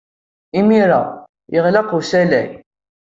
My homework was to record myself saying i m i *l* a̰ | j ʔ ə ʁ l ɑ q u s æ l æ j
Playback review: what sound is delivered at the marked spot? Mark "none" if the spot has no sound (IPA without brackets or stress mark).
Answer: ɾ